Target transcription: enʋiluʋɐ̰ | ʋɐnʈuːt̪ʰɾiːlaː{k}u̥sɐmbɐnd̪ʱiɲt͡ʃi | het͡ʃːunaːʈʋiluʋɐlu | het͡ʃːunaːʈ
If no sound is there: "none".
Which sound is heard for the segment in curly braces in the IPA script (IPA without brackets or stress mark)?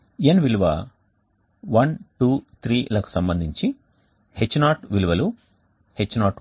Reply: k